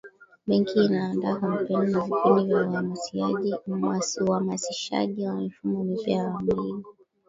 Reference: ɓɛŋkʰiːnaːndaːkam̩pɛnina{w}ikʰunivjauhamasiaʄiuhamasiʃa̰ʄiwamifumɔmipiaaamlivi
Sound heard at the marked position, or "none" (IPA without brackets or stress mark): v